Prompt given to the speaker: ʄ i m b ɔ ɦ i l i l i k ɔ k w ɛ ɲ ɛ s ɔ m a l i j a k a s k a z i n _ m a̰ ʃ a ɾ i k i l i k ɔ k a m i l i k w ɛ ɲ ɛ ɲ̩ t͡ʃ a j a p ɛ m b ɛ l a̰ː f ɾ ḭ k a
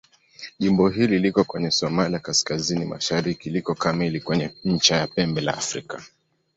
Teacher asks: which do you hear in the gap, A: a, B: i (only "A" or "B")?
B